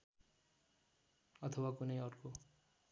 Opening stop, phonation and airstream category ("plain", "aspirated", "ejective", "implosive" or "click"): aspirated